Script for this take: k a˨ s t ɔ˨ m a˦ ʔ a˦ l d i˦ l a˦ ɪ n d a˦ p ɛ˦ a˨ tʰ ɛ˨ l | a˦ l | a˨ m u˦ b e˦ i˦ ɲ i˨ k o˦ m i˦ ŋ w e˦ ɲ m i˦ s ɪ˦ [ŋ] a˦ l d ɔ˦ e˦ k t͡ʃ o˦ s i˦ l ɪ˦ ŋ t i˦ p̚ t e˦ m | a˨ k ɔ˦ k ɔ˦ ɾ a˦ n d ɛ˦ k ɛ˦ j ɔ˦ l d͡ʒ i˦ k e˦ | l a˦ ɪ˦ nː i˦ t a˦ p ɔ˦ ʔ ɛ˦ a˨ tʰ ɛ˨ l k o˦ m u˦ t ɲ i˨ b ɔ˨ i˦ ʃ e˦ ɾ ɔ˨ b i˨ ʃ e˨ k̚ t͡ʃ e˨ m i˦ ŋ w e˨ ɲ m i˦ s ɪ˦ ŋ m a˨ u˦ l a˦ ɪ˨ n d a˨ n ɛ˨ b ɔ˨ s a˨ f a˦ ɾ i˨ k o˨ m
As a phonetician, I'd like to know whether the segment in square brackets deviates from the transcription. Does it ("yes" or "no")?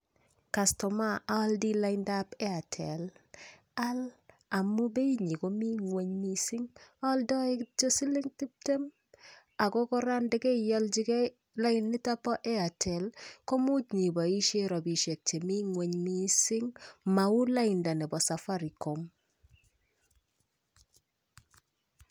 no